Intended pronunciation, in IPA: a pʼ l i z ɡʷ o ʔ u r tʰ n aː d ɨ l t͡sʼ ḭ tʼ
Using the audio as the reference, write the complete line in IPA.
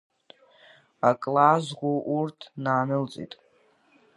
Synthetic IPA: a kʼ l a z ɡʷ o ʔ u r tʰ n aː n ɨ l t͡sʼ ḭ tʼ